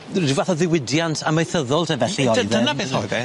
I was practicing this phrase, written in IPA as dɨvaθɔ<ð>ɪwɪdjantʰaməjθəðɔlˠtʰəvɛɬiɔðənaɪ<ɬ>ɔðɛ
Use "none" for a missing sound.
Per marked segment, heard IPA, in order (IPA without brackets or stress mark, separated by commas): ð, none